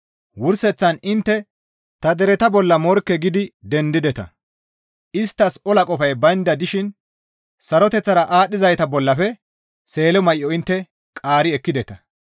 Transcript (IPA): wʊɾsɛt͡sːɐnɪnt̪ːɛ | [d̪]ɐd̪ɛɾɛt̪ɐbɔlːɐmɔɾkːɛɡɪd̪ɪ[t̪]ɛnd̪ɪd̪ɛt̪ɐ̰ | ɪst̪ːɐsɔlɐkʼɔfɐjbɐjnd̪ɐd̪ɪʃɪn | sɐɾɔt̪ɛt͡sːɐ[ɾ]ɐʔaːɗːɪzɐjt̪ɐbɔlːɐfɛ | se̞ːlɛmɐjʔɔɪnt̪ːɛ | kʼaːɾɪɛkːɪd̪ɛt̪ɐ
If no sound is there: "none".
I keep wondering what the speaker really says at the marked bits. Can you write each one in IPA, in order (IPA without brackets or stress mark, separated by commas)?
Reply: t̪, d̪, ɾ